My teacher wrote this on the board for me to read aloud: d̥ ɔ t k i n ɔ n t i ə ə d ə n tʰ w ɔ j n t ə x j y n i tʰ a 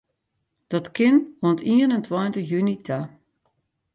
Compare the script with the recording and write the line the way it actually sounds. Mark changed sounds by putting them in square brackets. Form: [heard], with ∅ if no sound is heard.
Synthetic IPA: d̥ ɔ t k [ɪ] n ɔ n t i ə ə [n] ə n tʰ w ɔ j n t ə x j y n i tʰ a